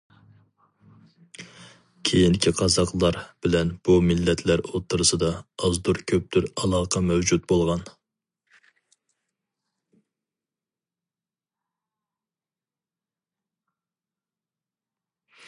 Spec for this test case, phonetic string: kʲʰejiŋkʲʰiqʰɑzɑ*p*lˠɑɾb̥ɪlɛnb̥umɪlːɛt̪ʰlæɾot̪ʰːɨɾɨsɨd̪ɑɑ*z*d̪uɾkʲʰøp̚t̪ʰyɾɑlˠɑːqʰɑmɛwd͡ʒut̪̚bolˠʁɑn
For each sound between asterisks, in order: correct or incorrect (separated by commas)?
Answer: incorrect, correct